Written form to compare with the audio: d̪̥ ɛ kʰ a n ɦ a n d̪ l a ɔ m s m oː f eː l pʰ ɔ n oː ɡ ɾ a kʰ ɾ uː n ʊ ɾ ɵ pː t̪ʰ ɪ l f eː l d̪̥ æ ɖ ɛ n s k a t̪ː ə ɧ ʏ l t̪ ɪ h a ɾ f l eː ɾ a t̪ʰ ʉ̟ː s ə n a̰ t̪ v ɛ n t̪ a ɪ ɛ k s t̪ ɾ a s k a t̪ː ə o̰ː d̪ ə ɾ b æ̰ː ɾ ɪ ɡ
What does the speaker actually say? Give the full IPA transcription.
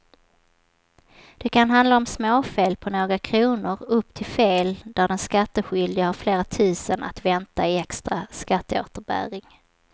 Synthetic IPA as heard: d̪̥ ɛ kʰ a n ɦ a n d̪ l a ɔ m s m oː f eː l pʰ ɔ n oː ɡ ɾ a kʰ ɾ uː n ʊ ɾ ɵ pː t̪ʰ ɪ l f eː l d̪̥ æ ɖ ɛ n s k a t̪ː ə ɧ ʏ l d̪ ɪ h a ɾ f l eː ɾ a t̪ʰ ʉ̟ː s ə n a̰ t̪ v ɛ n t̪ a ɪ ɛ k s t̪ ɾ a s k a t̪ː ə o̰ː t̪ ə ɾ b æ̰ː ɾ ɪ ŋ